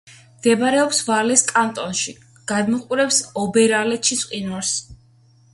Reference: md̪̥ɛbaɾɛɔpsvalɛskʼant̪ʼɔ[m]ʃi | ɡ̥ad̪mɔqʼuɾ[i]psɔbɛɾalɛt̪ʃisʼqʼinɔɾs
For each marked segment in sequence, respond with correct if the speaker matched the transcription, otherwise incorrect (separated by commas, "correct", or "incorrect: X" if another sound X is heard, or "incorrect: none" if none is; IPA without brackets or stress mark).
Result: incorrect: n, incorrect: ɛ